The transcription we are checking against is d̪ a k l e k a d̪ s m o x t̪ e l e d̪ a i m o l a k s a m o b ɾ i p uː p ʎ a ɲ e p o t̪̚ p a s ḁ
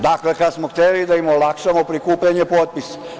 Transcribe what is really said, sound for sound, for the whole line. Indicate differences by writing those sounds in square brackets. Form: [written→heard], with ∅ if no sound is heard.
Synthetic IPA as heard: d̪ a k l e k a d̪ s m o x t̪ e l [e→i] d̪ a i m o l a k [s→ʃ] a m o [b→p] ɾ i [p→k] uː p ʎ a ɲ e p o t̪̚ p [a→i] s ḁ